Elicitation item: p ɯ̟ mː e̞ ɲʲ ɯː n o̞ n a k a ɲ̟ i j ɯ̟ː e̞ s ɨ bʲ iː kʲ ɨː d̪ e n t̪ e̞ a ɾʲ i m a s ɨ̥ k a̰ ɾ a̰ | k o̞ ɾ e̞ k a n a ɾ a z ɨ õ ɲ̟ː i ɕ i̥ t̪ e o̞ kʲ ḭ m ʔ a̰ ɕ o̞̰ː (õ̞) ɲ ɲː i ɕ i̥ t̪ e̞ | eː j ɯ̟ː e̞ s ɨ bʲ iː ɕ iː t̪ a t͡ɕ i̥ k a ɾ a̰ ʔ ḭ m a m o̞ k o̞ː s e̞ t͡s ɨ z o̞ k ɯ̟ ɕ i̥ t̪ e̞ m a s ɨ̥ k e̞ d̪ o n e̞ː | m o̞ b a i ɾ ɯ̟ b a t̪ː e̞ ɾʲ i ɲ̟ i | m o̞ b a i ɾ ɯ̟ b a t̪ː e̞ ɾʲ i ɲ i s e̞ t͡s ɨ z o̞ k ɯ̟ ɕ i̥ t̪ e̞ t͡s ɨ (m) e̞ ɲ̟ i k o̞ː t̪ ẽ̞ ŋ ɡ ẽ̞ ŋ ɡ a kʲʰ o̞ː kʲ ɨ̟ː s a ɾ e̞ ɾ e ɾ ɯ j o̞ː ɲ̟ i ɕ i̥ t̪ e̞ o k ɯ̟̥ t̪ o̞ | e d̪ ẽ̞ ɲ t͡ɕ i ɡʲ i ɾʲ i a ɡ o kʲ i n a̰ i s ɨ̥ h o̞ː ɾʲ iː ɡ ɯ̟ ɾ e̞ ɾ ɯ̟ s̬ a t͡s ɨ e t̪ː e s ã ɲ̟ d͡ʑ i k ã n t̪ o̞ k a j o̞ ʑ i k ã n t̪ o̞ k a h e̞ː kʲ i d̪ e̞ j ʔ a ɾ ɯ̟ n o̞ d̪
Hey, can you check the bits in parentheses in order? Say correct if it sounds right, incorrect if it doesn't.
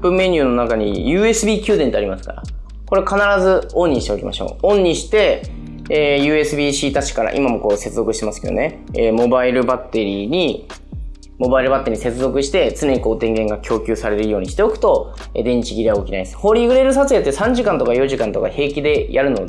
correct, incorrect: n

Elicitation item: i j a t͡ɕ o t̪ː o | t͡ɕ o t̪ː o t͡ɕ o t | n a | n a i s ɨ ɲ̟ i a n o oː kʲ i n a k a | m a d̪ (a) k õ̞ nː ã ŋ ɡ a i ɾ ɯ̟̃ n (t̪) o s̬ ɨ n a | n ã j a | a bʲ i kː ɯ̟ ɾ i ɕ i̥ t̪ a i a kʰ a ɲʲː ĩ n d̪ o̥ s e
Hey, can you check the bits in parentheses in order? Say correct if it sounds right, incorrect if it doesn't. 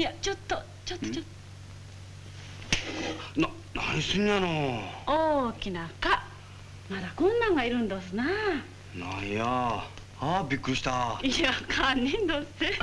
correct, incorrect: d̪

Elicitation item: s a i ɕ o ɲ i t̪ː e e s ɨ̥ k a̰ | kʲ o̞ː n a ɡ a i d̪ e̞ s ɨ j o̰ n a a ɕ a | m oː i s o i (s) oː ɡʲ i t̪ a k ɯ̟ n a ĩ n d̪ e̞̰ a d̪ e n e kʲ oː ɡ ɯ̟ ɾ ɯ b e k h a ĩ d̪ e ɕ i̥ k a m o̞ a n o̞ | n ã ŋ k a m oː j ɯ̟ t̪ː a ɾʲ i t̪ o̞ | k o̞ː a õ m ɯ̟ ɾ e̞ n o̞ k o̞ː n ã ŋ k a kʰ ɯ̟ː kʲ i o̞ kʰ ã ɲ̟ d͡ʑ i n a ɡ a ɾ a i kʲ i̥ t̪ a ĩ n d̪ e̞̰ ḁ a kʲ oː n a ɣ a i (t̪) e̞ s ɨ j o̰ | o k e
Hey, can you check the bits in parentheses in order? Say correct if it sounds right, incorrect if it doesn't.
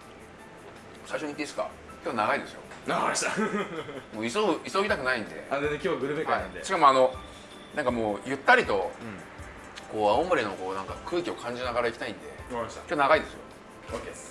correct, incorrect: d̪

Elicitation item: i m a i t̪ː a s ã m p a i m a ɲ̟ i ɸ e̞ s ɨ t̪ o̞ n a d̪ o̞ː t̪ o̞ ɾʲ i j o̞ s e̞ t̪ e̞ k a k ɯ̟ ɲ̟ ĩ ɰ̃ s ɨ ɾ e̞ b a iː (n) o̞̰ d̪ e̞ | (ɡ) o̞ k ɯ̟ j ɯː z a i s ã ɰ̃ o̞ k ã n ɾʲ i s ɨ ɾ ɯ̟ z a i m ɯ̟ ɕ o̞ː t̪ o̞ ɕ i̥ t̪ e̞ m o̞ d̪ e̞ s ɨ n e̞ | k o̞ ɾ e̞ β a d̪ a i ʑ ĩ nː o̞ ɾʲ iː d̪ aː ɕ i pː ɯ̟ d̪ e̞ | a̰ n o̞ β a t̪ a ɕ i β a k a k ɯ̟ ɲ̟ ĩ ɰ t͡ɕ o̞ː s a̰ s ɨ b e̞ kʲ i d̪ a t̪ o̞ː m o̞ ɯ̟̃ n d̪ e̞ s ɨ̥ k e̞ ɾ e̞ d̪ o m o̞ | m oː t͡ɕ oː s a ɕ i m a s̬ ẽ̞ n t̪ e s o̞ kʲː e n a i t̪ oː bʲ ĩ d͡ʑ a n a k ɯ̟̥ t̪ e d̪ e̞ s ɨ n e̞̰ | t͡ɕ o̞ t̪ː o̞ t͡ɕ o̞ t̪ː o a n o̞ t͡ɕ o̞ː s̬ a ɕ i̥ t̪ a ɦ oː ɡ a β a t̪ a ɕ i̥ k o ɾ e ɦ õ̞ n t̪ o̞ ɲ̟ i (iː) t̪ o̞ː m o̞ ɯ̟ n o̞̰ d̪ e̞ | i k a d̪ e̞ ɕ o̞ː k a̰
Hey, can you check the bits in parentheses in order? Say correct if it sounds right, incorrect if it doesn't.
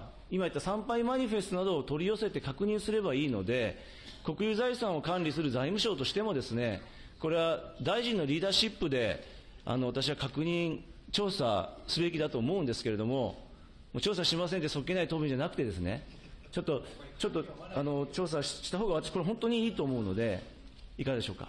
correct, incorrect: k, correct

